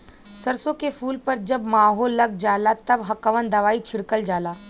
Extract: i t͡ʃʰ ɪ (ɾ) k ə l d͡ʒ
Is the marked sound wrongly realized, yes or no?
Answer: yes